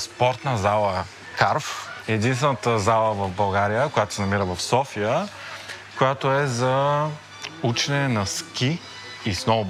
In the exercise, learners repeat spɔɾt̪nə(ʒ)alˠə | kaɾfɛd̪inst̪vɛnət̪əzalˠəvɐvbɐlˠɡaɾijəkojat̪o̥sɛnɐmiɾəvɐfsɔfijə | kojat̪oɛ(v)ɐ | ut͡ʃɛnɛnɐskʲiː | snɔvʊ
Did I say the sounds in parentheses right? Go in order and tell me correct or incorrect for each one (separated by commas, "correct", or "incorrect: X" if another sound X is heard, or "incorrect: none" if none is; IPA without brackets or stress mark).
incorrect: z, incorrect: z